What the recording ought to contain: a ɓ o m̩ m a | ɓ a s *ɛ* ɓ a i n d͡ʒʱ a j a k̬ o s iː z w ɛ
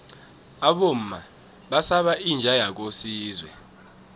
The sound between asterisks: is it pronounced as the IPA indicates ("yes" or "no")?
no